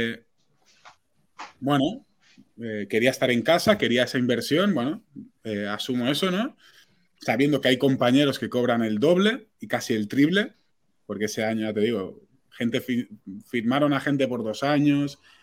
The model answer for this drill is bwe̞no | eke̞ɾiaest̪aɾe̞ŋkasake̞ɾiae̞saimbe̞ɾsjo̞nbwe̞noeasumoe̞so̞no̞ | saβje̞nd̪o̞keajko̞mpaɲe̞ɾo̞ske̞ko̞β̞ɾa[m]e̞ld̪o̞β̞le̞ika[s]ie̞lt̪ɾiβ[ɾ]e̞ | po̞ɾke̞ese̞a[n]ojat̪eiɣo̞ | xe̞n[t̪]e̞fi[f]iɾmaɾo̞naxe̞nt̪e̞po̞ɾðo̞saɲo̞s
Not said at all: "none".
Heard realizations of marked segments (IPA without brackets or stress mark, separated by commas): n, s, l, ɲ, t̪, f